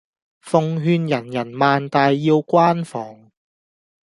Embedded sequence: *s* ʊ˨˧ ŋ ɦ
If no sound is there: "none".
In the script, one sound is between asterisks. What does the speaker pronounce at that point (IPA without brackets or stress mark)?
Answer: f